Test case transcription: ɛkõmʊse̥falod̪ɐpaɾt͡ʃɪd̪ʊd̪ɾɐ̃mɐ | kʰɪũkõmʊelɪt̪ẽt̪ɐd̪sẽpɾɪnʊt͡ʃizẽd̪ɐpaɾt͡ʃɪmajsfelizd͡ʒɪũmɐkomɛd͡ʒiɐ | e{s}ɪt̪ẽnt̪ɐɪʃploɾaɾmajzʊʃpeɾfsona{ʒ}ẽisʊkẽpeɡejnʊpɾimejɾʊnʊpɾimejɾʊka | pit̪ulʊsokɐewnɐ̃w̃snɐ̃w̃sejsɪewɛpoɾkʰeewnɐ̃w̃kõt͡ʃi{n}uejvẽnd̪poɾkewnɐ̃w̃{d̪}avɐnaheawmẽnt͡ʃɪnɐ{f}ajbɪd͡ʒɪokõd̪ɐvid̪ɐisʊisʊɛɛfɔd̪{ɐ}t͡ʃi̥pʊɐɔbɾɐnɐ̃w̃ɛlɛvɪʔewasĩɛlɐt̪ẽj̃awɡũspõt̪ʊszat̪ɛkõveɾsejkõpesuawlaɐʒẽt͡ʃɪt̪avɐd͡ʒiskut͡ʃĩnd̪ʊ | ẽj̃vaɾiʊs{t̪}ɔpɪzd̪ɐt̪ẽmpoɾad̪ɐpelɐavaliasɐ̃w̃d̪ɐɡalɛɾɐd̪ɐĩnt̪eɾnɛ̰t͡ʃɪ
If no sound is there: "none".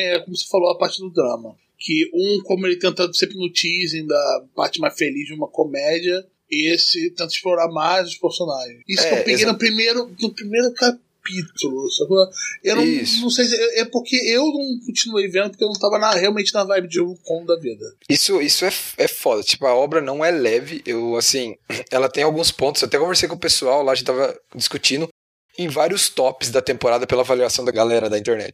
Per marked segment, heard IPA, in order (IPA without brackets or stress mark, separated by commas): s, ʒ, n, t̪, v, ɐ, t̪